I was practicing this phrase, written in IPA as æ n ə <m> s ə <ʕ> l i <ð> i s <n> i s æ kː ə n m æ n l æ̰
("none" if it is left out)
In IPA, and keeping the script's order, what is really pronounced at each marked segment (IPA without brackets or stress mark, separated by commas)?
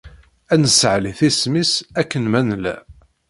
none, ʕ, θ, m